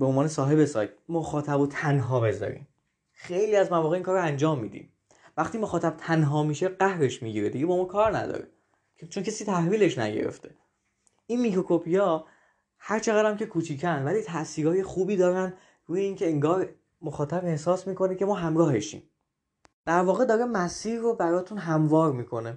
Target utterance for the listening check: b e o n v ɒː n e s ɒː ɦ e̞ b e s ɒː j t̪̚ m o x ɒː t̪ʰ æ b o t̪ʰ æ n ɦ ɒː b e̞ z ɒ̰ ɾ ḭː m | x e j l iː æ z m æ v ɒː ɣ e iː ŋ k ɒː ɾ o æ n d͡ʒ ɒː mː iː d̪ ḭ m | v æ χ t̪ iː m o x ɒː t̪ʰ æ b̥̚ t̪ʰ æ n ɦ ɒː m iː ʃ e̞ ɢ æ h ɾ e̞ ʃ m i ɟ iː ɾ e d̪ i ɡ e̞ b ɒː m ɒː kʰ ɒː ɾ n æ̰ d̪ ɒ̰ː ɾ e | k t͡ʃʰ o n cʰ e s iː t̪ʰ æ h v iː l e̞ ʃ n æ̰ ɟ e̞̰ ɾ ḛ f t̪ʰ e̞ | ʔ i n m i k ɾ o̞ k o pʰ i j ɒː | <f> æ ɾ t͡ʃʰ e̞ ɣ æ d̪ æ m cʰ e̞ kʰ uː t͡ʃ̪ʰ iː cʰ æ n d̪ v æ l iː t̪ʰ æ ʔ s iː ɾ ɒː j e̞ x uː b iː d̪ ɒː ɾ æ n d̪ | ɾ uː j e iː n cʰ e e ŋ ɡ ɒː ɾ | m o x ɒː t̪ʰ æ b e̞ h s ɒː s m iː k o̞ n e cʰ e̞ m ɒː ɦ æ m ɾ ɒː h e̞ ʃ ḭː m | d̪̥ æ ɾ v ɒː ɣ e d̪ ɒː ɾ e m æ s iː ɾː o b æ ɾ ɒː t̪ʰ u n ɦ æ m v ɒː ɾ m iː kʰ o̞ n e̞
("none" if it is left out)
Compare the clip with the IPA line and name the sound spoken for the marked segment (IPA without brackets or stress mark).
h